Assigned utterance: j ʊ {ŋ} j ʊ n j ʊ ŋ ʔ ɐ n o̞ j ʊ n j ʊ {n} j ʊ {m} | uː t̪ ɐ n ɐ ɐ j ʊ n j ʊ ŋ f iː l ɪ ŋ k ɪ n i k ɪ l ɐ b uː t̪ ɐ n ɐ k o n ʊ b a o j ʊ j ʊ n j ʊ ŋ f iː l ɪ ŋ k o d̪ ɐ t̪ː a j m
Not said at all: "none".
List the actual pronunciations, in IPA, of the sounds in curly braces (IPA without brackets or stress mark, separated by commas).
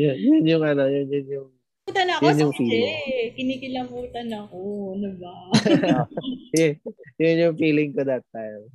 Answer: n, n, ŋ